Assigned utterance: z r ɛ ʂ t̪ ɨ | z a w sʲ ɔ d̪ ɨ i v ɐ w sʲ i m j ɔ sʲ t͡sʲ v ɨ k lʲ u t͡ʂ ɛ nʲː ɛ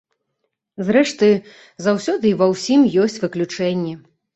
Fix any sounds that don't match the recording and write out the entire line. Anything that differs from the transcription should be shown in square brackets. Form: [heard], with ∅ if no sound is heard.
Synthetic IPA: z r ɛ ʂ t̪ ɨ | z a w sʲ ɔ d̪ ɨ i v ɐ w sʲ i m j ɔ sʲ t͡sʲ v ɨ k lʲ u t͡ʂ ɛ nʲː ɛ